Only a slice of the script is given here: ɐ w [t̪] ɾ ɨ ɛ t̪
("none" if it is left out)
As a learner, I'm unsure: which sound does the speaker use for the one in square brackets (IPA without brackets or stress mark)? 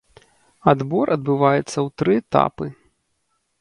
t̪